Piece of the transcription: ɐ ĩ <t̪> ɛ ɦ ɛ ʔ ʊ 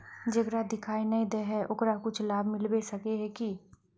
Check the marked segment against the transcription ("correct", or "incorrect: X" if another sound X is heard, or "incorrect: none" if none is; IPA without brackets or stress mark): incorrect: d̪